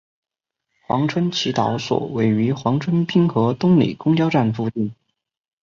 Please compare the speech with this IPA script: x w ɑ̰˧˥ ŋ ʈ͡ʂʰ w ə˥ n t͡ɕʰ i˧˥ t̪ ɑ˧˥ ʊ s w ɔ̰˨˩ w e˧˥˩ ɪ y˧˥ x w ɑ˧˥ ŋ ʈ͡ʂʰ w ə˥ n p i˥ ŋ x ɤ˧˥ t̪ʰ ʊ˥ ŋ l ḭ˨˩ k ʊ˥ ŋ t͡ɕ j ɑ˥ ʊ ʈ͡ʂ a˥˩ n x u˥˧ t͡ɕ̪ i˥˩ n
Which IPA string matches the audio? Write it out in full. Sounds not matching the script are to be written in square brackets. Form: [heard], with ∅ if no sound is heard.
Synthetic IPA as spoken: x w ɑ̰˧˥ ŋ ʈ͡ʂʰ w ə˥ n t͡ɕʰ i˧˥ t̪ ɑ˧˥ ʊ s w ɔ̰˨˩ w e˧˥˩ ɪ y˧˥ x w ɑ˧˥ ŋ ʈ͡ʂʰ w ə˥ n p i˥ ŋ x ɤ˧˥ [t̪] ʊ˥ ŋ l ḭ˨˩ k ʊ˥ ŋ t͡ɕ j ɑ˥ ʊ ʈ͡ʂ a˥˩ n [f] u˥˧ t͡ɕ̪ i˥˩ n